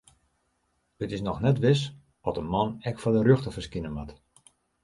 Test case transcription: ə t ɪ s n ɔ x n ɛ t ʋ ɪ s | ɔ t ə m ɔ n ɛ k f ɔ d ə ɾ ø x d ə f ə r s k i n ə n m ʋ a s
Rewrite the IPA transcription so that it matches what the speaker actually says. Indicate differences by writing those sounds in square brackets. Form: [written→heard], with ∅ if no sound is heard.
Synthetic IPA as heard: ə t ɪ s n ɔ x n ɛ t ʋ ɪ s | ɔ t ə m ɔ n ɛ k f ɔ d ə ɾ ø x [d→t] ə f ə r s k i n ə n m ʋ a [s→t]